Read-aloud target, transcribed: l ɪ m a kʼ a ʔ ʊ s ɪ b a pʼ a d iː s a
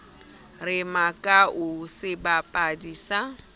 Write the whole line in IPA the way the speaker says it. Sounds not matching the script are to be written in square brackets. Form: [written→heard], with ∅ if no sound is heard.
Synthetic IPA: [l→r] ɪ m a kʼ a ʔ ʊ s ɪ b a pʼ a d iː s a

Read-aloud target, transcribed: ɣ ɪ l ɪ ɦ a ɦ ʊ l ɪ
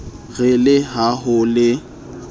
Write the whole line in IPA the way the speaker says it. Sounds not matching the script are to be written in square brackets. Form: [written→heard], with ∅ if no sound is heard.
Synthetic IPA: ɣ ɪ l ɪ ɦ a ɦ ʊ l ɪ

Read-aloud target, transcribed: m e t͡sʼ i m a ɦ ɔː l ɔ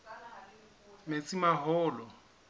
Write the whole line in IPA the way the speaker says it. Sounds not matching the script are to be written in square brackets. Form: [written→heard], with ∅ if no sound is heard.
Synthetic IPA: m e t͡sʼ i m a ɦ ɔː l ɔ

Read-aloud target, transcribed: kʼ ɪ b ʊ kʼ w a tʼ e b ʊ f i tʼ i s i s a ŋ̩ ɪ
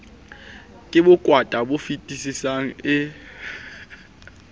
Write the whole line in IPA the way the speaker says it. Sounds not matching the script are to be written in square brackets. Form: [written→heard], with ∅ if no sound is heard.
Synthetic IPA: kʼ ɪ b ʊ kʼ w a tʼ [e→a] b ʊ f i tʼ i s i s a ŋ̩ ɪ

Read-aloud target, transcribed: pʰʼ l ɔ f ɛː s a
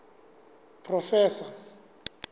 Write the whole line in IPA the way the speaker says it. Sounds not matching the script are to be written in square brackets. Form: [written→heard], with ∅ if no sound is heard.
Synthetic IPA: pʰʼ [l→r] ɔ f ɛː s a

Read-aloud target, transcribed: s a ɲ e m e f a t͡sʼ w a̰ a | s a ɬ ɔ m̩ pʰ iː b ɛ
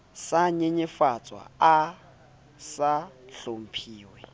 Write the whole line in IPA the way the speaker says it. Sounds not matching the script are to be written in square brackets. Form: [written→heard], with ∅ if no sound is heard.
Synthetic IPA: s a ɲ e [m→ɲ] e f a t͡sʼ w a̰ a | s a ɬ [ɔ→o] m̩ pʰ iː [b→w] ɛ

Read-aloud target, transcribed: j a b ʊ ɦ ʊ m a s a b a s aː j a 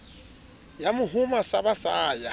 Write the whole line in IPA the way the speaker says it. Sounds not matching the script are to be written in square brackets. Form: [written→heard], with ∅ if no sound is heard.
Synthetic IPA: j a [b→m] ʊ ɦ ʊ m a s a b a s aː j a

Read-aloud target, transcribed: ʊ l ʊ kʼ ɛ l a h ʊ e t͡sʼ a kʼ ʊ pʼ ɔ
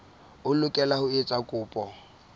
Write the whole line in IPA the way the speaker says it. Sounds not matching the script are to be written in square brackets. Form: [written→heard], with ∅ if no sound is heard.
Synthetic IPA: ʊ l ʊ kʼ ɛ l a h ʊ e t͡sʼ a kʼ [ʊ→ʊː] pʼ ɔ

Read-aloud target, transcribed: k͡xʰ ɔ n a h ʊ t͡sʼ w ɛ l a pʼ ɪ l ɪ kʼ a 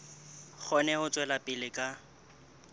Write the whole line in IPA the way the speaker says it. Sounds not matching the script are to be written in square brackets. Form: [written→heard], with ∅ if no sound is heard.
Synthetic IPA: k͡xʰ ɔ n [a→ɛ] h ʊ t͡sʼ w ɛ l a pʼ ɪ l ɪ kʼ a

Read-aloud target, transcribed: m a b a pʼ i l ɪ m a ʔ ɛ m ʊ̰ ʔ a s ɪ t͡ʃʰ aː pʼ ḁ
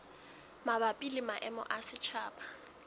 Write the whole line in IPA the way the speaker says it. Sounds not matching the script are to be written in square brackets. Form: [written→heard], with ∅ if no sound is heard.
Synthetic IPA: m a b a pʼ i l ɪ m a ʔ ɛ m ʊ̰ ʔ a s ɪ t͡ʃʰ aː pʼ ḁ

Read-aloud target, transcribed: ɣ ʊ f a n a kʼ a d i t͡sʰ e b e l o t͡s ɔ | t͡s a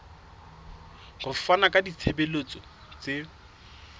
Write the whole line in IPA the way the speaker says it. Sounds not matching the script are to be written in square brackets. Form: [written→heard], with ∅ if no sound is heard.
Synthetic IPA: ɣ ʊ f a n a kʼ a d i t͡sʰ e b e l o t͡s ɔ | t͡s [a→e]

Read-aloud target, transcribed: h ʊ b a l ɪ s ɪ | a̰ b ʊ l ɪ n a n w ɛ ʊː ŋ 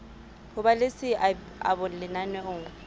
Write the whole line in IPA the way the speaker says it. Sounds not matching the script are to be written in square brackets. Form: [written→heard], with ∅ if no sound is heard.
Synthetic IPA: h ʊ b a l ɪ s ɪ | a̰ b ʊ l ɪ n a n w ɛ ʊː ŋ

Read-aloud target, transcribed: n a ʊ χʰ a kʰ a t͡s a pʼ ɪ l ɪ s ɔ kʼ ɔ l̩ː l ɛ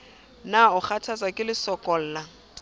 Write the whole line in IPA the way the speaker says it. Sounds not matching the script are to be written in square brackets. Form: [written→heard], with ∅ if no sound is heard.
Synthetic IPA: n a ʊ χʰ a [kʰ→tʰ] a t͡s a [pʼ→kʼ] ɪ l ɪ s ɔ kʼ ɔ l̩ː l [ɛ→a]

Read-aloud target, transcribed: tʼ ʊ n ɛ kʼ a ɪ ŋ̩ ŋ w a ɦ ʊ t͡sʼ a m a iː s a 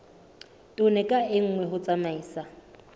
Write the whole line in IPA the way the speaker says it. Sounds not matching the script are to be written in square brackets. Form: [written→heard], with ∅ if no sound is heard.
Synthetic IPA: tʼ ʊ n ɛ kʼ a ɪ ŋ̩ ŋ w [a→ɛ] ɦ ʊ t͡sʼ a m a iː s a

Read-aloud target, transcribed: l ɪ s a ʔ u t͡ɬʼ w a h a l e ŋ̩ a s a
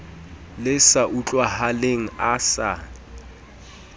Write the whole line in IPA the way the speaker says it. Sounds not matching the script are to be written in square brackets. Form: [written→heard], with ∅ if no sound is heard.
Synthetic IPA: l ɪ s a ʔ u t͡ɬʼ w a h a l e ŋ̩ a s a

